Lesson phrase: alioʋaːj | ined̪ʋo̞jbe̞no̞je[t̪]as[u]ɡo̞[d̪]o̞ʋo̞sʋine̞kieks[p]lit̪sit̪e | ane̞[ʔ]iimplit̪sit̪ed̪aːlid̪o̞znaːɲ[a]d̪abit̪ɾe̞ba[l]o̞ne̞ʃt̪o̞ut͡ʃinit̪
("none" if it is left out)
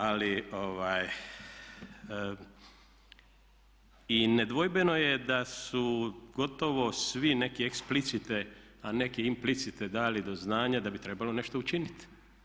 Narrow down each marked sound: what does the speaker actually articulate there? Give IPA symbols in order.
d̪, u, t̪, p, k, a, l

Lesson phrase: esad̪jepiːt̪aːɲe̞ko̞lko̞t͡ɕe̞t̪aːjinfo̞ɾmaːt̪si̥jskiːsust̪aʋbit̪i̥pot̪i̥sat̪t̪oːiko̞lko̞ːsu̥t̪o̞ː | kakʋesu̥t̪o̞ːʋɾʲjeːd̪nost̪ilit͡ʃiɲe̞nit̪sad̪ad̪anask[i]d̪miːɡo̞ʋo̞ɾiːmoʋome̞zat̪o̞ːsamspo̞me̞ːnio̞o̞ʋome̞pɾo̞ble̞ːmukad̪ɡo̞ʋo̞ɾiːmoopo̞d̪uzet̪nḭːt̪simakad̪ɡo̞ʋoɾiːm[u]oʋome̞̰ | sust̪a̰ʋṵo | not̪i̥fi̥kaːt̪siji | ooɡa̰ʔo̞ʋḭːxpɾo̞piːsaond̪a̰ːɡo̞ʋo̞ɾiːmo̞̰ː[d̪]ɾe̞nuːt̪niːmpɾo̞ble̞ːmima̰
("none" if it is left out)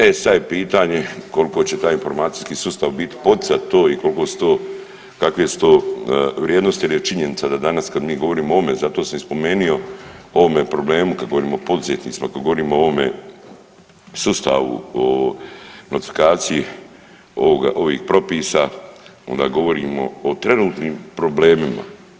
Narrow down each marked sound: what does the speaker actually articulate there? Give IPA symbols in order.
a, o, t̪

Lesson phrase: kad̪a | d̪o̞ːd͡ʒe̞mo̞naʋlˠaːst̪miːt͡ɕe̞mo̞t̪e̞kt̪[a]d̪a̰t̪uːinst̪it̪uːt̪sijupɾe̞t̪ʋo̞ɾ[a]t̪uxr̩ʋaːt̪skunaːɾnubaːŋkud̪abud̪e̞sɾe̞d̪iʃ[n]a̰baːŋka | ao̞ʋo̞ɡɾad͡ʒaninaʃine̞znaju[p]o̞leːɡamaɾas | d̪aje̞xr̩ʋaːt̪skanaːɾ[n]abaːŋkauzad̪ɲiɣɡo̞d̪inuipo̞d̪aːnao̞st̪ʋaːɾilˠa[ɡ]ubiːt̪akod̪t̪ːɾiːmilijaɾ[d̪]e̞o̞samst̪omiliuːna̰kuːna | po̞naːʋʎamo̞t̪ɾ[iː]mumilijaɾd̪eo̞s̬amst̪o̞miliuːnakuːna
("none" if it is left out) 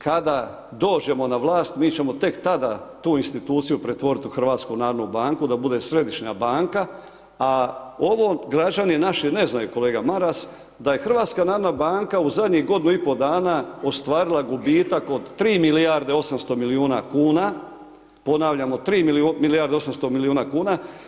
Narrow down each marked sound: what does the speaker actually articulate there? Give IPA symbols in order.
a, i, ɲ, k, n, ɡ, d̪, iː

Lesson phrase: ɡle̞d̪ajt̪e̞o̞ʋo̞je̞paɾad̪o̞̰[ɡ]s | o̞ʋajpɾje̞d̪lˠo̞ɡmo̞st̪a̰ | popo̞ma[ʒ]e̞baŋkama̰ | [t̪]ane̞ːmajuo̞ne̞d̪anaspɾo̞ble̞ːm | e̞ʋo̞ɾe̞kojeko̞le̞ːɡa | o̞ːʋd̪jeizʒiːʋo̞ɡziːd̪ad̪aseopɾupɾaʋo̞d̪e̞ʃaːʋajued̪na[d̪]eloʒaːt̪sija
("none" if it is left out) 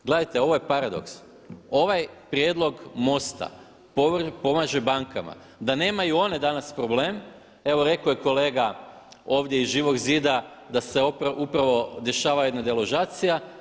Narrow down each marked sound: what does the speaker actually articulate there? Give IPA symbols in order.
k, ʒ, d̪, d̪

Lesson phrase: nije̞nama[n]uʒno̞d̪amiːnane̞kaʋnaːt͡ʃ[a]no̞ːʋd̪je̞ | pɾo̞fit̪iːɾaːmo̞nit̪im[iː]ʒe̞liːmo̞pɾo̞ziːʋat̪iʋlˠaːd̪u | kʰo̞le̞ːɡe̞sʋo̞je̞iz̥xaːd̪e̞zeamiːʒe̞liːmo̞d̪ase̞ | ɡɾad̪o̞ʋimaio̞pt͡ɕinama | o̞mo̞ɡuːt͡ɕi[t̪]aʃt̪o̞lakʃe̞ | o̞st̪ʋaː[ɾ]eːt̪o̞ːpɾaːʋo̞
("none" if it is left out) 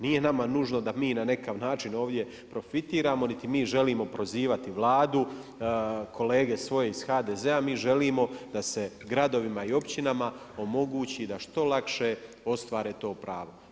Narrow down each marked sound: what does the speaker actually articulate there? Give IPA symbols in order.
n, i, iː, d̪, ɾ

